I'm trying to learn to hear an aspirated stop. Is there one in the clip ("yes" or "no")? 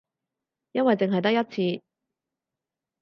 yes